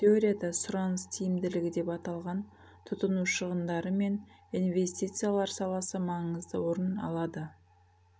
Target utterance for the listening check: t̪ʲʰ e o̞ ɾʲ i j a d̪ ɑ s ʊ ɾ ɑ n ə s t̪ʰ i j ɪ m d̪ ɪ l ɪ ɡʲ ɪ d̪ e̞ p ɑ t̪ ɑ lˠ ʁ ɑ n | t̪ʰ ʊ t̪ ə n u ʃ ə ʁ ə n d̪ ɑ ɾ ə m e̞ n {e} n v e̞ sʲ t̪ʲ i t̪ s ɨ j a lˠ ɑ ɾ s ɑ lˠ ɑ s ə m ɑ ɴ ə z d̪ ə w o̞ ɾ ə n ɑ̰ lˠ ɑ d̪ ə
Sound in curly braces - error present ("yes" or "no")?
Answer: yes